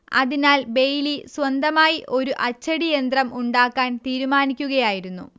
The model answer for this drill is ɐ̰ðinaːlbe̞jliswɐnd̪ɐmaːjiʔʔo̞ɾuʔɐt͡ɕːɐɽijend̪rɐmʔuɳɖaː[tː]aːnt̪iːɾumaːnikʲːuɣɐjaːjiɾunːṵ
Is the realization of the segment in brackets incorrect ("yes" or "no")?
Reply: yes